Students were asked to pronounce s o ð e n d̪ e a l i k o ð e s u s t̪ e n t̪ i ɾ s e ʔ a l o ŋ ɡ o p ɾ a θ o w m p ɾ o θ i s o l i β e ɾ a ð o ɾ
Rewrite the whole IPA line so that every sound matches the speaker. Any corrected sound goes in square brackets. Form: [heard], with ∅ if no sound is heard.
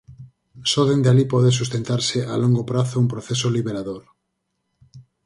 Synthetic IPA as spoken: s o ð e n d̪ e a l i [p] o ð e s u s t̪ e n t̪ [a] ɾ s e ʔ a l o ŋ ɡ o p ɾ a θ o [u] m p ɾ o θ [e] s o l i β e ɾ a ð o ɾ